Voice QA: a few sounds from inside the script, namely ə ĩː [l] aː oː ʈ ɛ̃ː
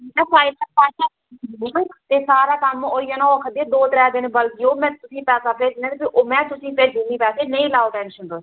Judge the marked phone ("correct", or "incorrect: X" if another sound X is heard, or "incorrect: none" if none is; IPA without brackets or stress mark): correct